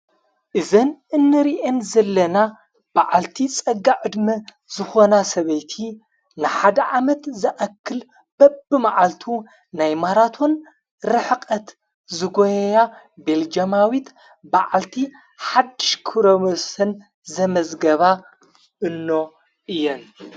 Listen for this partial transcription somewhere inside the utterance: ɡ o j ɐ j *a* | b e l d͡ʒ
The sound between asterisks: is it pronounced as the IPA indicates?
yes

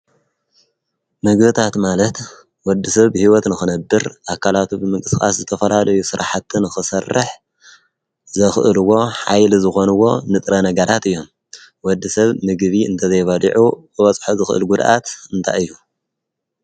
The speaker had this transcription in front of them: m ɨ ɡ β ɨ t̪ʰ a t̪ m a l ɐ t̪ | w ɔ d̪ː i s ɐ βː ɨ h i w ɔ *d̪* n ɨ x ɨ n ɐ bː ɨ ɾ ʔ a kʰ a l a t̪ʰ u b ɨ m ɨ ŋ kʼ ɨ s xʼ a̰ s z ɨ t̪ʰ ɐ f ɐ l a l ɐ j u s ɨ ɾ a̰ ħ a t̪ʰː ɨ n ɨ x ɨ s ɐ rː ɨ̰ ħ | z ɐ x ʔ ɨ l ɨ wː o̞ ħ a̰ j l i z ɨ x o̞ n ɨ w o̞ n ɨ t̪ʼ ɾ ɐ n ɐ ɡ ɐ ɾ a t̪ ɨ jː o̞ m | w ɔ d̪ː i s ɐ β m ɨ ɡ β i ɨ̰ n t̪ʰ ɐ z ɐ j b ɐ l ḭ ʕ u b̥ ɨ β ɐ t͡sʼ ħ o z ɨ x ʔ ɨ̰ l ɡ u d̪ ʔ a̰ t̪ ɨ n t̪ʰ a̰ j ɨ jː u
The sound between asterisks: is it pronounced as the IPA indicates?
no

